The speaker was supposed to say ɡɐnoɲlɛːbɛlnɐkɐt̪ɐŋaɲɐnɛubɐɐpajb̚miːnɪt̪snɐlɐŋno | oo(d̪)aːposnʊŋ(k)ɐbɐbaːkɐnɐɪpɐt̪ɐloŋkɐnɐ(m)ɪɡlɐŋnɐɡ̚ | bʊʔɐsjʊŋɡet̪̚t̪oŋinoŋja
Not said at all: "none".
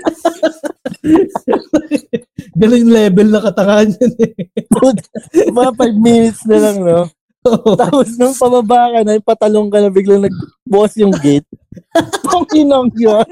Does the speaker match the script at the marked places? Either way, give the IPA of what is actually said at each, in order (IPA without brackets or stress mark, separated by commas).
t̪, p, b